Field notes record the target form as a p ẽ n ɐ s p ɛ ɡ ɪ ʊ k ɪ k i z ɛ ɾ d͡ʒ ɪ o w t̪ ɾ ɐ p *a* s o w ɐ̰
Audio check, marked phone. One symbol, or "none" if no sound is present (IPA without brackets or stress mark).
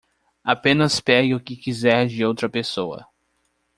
e